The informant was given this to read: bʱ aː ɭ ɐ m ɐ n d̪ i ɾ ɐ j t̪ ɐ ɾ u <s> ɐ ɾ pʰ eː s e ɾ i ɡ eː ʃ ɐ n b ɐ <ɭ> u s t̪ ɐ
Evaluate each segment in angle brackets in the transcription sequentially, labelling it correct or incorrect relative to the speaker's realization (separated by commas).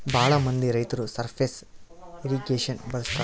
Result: correct, incorrect